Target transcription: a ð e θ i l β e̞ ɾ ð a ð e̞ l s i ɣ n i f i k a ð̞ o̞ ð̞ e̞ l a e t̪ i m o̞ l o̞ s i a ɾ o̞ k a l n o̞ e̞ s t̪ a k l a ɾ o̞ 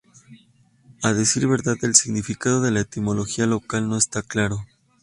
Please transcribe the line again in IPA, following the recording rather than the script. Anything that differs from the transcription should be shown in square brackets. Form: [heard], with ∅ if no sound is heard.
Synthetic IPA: a ð e [s] i [ɾ] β e̞ ɾ ð a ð e̞ l s i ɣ n i f i k a ð̞ o̞ ð̞ e̞ l a e t̪ i m o̞ l o̞ [x] i a [l] o̞ k a l n o̞ e̞ s t̪ a k l a ɾ o̞

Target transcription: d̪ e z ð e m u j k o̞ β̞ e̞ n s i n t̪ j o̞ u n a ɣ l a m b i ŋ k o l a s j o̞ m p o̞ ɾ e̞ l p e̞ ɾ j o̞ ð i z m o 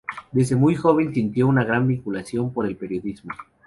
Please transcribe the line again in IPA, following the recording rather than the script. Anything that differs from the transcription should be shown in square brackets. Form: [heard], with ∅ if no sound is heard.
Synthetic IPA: d̪ e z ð e m u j [x] o̞ β̞ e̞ n s i n t̪ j o̞ u n a ɣ [ɾ] a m b i ŋ k [u] l a s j o̞ m p o̞ ɾ e̞ l p e̞ ɾ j o̞ ð i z m o

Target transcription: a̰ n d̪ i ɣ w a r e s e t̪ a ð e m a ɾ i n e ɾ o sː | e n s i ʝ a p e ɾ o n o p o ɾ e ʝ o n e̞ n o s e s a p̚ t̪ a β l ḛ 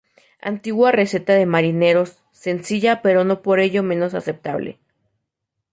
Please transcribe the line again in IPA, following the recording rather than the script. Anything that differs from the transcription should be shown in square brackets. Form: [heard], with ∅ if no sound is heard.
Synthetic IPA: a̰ n [t̪] i ɣ w a r e s e t̪ a ð e m a ɾ i n e ɾ o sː | e n s i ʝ a p e ɾ o n o p o ɾ e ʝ o [m] e̞ n o s [a] s [e] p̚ t̪ a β l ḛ

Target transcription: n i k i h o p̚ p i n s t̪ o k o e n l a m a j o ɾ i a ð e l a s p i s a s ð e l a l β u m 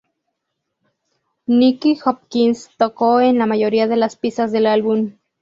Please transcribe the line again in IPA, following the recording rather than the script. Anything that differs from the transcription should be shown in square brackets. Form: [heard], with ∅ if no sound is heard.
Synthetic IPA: n i k i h o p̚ [k] i n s t̪ o k o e n l a m a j o ɾ i a ð e l a s p i s a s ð e l a l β u m

